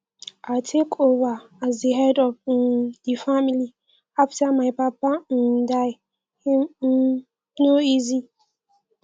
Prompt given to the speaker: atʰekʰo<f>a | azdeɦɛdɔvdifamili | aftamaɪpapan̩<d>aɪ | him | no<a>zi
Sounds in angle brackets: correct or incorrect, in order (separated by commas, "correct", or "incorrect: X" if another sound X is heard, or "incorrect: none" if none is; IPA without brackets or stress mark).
incorrect: v, correct, incorrect: i